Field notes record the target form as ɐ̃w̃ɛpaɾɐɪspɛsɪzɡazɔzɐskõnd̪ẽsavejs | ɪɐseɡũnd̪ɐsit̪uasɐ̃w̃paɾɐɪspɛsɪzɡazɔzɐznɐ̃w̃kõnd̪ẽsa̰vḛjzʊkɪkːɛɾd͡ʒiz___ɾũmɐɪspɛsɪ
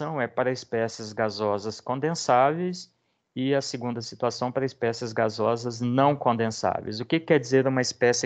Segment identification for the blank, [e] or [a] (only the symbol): e